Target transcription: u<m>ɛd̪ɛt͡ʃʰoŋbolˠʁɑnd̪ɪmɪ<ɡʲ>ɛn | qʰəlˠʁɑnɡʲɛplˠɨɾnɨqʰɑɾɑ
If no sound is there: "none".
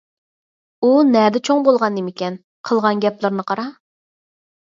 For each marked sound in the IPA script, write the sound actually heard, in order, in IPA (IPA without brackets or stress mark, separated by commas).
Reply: n, kʲ